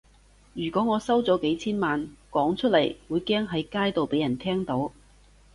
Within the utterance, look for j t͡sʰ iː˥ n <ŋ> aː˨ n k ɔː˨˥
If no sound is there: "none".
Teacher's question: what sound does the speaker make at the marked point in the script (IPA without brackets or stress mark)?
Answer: m